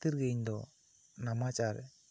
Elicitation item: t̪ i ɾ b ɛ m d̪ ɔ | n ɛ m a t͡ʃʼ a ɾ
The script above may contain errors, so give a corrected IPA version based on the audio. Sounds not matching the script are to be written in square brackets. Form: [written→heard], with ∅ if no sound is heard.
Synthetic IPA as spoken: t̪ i ɾ [b→ɡ] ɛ [m→ɲ] d̪ ɔ | n [ɛ→a] m a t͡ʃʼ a ɾ